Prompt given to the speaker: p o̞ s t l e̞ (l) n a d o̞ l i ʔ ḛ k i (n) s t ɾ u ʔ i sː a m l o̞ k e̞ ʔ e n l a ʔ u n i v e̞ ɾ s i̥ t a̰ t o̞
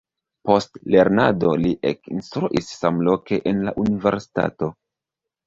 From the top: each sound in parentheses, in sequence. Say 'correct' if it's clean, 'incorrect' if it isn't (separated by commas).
incorrect, correct